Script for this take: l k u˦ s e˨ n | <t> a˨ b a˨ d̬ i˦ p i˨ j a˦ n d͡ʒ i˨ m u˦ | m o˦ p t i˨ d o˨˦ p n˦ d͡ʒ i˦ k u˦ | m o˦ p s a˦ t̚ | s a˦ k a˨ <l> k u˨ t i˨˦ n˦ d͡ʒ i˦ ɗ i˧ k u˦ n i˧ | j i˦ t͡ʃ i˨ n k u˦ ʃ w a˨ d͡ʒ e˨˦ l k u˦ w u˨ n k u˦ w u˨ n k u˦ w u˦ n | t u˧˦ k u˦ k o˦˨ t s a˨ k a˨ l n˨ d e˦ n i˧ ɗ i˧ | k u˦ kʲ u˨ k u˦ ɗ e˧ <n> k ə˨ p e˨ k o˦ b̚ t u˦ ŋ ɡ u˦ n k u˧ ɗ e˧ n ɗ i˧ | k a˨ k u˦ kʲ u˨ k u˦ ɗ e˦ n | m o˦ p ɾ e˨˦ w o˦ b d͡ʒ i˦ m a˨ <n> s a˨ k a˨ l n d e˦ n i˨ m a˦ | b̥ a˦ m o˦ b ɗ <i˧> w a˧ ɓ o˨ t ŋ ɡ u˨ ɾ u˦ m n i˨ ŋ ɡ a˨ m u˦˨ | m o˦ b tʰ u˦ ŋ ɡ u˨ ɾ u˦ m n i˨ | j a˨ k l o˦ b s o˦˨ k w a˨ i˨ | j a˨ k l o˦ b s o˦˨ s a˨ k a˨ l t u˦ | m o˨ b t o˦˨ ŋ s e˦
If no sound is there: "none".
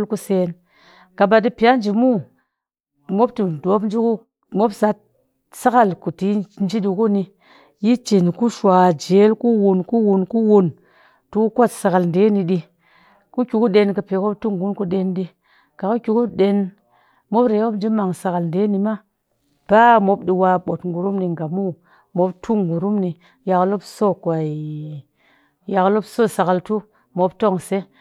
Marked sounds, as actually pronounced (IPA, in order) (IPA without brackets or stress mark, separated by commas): k, l, n, ŋ, i˧